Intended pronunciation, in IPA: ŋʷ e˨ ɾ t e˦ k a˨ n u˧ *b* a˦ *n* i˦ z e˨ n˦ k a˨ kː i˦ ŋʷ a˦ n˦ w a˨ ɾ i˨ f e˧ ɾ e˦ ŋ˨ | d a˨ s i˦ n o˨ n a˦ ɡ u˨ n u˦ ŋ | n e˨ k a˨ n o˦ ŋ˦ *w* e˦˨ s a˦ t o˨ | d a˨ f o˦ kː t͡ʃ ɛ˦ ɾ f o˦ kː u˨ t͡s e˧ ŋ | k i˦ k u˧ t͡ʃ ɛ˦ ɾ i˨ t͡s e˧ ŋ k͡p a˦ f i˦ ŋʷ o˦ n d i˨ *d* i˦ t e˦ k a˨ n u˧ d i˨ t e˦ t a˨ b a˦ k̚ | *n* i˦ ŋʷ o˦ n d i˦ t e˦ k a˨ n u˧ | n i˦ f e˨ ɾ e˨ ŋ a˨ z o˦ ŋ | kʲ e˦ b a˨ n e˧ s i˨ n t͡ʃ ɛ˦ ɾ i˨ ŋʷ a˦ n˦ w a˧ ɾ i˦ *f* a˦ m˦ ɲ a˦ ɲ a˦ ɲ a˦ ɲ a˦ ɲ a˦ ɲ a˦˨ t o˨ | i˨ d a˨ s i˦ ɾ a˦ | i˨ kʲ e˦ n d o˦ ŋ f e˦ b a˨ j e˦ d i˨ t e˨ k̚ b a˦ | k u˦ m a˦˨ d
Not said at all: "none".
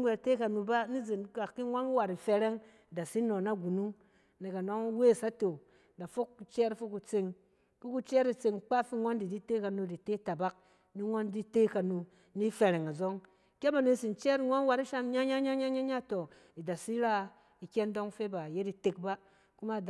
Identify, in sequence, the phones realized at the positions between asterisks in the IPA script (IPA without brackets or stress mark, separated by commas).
b, n, w, d, n, ʃ